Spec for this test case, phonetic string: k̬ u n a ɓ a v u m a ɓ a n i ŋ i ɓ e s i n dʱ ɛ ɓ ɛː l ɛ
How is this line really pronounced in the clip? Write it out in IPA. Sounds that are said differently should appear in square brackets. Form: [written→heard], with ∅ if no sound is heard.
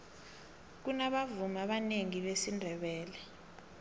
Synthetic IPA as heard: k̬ u n a ɓ a v u m a ɓ a n [i→e] ŋ i ɓ e s i n dʱ ɛ ɓ ɛː l ɛ